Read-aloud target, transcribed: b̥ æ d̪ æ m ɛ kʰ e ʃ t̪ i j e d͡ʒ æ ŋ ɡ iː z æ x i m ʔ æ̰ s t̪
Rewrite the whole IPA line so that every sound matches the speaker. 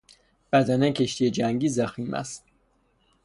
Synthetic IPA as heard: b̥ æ d̪ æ n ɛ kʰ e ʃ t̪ i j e d͡ʒ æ ŋ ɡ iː z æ x i m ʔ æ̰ s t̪